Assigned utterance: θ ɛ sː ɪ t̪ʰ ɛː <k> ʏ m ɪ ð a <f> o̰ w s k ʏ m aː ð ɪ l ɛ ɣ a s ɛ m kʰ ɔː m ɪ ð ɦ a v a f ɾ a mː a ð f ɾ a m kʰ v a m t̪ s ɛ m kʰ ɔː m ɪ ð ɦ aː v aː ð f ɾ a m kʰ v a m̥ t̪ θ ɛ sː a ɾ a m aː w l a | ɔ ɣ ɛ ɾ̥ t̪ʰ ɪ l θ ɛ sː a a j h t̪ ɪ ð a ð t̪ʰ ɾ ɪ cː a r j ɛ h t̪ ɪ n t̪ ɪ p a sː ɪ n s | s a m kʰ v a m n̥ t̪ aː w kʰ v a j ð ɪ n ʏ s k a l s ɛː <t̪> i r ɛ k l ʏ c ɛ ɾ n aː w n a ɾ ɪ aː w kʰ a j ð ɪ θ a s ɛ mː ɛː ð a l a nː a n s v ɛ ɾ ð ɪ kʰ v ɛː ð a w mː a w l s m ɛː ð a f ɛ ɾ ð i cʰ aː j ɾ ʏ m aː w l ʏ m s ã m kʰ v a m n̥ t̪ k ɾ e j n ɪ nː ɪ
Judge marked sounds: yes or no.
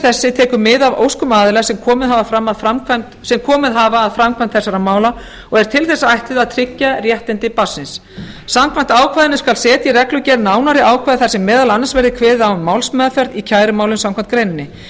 yes, no, yes

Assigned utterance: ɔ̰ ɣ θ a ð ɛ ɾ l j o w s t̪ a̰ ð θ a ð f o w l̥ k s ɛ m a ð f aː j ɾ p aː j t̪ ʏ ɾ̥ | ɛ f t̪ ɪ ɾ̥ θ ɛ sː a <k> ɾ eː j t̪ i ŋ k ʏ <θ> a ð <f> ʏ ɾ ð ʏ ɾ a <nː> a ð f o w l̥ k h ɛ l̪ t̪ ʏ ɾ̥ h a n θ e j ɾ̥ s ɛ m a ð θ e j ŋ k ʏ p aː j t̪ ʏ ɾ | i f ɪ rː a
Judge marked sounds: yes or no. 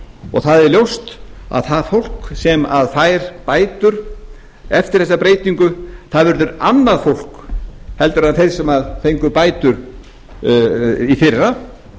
no, yes, no, yes

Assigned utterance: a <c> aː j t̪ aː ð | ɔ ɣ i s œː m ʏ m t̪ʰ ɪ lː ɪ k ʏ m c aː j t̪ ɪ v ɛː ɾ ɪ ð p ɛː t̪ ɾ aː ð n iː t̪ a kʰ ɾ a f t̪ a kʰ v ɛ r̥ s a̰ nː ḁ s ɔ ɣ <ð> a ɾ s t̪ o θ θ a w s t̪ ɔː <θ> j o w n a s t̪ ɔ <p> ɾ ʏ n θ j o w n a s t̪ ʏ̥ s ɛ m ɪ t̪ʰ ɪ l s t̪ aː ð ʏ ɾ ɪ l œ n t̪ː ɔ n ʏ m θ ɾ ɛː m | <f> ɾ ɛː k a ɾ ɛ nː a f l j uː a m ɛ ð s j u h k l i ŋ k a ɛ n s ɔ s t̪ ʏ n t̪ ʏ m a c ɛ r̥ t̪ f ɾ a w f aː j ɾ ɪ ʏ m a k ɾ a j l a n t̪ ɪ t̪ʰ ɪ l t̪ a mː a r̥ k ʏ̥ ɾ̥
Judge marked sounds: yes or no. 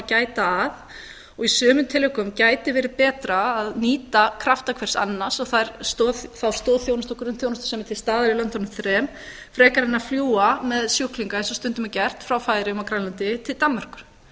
yes, no, yes, no, yes

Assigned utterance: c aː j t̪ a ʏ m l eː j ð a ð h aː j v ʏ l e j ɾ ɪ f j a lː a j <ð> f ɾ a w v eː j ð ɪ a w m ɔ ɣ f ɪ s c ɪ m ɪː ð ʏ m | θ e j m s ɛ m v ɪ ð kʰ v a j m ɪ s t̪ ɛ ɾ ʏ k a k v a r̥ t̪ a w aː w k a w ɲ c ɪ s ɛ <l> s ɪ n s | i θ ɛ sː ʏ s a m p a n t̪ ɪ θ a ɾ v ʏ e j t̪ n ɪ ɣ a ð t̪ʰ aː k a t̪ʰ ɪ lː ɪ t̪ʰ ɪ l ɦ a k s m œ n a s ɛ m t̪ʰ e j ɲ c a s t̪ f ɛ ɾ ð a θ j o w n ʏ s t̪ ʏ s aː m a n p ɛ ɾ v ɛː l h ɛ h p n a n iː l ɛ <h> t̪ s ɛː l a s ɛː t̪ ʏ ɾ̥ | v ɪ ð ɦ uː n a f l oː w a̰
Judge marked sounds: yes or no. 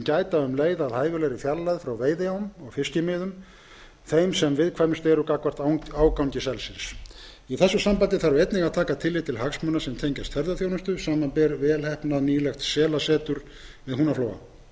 yes, yes, no

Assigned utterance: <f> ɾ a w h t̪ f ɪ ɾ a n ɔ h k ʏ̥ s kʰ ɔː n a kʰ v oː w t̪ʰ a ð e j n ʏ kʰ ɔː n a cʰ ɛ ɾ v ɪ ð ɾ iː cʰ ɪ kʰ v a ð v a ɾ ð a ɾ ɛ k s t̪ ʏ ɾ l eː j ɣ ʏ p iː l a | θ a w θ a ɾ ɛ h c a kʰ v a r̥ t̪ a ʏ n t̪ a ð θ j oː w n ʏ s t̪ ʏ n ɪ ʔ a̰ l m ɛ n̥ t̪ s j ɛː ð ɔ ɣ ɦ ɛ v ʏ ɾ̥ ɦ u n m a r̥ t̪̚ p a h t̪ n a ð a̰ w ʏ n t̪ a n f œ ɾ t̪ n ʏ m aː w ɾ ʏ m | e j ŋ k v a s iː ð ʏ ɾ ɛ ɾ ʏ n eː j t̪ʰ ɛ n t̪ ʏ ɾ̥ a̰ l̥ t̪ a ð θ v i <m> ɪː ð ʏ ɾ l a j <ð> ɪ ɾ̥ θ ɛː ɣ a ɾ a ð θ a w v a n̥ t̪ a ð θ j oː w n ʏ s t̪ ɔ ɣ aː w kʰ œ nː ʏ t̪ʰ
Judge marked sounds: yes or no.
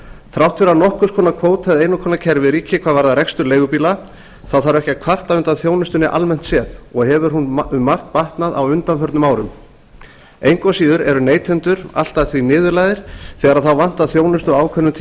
no, no, yes

